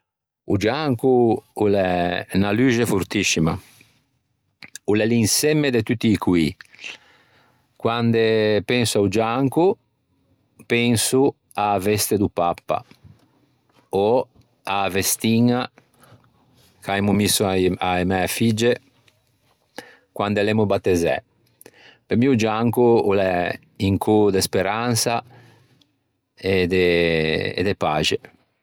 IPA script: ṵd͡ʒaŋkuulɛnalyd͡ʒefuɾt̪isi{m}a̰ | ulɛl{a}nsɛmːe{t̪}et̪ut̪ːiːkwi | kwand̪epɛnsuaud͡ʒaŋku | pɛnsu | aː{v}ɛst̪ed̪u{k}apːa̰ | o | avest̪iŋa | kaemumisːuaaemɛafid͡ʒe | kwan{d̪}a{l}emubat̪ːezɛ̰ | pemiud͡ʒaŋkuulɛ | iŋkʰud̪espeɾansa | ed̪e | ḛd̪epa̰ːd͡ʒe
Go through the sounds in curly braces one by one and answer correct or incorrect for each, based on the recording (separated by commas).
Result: correct, incorrect, incorrect, correct, incorrect, correct, correct